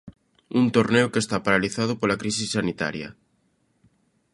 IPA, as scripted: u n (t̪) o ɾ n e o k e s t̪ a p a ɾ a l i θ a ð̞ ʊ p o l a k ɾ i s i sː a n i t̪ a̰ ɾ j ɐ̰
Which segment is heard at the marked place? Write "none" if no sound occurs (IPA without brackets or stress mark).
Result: t̪